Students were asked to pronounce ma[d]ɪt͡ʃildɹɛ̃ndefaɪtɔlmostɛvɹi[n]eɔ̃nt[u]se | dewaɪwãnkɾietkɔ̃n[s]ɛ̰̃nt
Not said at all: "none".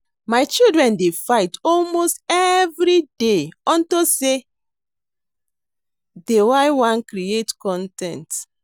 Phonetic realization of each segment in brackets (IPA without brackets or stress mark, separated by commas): none, d, o, t